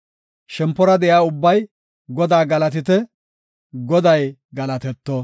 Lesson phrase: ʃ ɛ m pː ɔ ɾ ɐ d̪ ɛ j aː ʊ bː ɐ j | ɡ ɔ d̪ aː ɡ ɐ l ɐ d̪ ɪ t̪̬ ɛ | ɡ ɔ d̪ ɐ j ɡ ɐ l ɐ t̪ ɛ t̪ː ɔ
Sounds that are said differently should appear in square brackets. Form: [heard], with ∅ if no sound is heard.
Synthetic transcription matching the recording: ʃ ɛ m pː ɔ ɾ ɐ d̪ ɛ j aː ʊ bː ɐ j | ɡ ɔ d̪ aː ɡ ɐ l ɐ [t̪] ɪ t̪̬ ɛ | ɡ ɔ d̪ ɐ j ɡ ɐ l ɐ t̪ ɛ t̪ː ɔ